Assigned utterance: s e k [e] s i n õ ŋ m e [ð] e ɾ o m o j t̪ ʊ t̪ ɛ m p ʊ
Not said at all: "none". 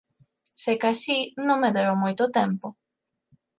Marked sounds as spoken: a, ð

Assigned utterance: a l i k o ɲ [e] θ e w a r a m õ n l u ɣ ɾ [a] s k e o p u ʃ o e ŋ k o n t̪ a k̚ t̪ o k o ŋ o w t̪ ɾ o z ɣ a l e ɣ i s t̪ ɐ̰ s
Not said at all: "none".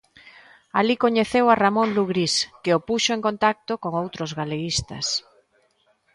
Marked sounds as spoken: e, i

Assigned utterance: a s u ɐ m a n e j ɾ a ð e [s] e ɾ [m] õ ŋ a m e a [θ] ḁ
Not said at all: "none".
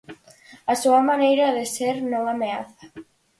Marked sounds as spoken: s, n, θ

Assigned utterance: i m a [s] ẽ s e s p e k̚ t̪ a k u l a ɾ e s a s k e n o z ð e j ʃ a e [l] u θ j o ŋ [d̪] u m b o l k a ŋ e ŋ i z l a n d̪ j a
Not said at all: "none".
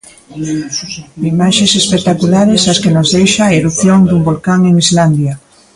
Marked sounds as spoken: ʃ, ɾ, d̪

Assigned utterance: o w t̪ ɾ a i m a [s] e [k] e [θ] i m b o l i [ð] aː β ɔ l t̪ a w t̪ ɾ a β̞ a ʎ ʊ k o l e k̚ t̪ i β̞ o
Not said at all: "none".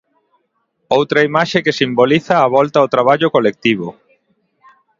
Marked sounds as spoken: ʃ, k, s, θ

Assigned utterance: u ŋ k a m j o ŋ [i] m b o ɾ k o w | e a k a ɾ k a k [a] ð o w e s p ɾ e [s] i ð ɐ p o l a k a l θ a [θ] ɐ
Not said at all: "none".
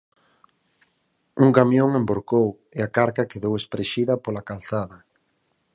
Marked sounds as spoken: e, e, ʃ, ð

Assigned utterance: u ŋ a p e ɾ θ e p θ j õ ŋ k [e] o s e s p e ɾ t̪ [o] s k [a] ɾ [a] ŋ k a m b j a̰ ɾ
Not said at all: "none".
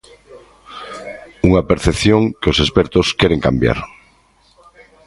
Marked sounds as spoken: e, o, e, e

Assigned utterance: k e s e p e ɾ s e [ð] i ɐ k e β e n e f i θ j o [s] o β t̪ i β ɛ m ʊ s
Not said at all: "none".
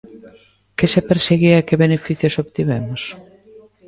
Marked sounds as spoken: ɣ, s

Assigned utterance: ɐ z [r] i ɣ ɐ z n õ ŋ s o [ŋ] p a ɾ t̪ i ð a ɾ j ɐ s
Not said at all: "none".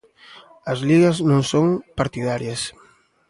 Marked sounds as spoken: l, ŋ

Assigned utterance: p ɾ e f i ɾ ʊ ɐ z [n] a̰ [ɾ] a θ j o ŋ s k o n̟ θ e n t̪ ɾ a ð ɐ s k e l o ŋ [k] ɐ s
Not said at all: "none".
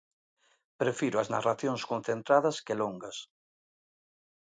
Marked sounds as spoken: n, r, ɡ

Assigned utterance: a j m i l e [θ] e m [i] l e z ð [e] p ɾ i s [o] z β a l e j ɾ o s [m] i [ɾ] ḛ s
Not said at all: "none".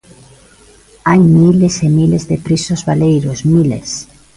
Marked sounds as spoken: s, i, e, o, m, l

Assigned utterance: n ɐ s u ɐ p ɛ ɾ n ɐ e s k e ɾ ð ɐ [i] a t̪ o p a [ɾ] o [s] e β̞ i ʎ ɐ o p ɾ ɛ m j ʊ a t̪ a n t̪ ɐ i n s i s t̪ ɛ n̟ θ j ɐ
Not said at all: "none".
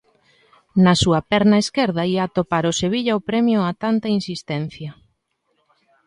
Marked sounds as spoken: i, ɾ, s

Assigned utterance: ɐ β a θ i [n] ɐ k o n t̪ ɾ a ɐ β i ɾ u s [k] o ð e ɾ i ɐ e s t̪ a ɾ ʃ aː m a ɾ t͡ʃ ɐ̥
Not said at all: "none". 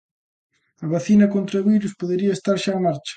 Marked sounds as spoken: n, p

